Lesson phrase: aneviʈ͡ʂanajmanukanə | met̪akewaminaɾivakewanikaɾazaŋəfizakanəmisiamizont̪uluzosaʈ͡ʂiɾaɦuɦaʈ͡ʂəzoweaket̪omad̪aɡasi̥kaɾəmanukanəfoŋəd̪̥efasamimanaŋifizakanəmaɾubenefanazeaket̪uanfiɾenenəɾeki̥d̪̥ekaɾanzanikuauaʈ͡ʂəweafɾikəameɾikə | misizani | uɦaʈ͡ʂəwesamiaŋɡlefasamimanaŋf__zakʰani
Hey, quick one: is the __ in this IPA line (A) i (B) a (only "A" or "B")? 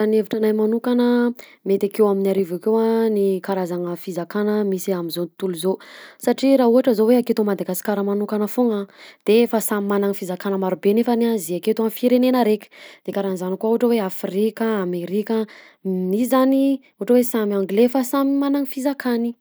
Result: A